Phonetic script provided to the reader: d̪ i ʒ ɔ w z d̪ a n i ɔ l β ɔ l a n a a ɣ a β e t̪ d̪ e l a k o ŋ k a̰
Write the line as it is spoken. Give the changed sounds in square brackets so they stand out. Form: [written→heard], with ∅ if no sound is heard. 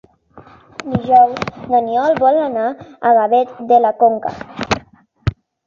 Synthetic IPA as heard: d̪ i ʒ ɔ w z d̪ a n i ɔ l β ɔ l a n a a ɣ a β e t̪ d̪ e l a k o ŋ k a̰